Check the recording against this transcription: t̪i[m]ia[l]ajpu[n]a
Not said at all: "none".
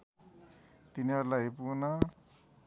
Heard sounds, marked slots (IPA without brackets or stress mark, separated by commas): n, l, n